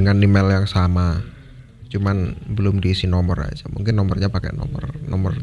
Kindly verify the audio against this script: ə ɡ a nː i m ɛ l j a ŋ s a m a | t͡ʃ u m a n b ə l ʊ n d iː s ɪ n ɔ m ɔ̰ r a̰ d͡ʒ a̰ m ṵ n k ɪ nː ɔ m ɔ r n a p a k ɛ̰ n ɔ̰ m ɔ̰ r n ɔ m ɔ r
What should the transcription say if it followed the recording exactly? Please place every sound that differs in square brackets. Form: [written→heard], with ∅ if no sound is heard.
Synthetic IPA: ə [ɡ→ŋ] a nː i m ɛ l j a ŋ s a m a | t͡ʃ u m a n b ə l ʊ [n→m] d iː s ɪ n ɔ m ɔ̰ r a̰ d͡ʒ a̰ m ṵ [n→ŋ] k ɪ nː ɔ m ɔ r [n→ɲ] a p a k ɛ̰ n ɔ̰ m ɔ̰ r n ɔ m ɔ r